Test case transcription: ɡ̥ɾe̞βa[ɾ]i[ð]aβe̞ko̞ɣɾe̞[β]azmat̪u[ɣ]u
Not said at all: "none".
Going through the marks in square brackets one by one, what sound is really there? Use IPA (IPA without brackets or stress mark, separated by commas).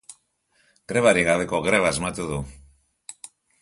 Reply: ɾ, ɣ, β, ð